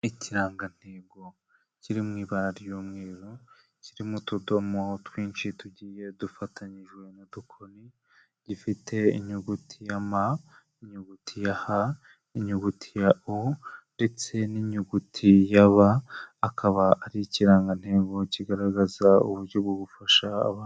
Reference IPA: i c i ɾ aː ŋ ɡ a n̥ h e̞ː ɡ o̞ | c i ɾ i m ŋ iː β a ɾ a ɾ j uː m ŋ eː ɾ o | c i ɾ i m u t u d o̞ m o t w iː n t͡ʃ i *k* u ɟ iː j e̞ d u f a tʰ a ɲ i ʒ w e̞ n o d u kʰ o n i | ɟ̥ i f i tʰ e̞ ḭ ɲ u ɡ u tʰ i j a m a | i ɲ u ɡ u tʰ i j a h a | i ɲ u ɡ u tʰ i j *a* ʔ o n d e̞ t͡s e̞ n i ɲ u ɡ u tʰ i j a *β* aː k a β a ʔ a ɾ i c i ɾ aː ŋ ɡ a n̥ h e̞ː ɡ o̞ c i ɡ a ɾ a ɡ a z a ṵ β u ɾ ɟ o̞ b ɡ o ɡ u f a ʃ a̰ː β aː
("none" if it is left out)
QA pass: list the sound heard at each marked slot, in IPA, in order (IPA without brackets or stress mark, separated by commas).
t, a, β